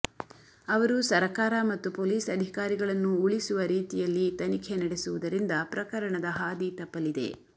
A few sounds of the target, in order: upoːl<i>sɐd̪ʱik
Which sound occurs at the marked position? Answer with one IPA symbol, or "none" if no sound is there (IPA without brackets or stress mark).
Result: iː